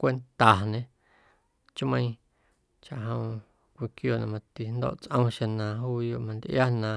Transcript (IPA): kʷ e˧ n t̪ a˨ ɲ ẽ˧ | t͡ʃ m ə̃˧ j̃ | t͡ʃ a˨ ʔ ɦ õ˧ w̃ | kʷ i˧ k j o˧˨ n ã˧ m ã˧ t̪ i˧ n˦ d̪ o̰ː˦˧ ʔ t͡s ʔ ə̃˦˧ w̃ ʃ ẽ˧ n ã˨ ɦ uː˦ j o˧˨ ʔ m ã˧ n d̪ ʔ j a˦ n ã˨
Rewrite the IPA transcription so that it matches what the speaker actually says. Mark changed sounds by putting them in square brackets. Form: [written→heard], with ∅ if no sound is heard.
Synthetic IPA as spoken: kʷ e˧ n t̪ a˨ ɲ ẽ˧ | t͡ʃ m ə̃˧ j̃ | t͡ʃ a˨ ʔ ɦ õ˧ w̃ | kʷ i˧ k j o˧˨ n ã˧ m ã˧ t̪ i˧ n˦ d̪ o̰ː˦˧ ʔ t͡s ʔ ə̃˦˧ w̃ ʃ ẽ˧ n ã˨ ɦ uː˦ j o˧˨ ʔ m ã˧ n d̪ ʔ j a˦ n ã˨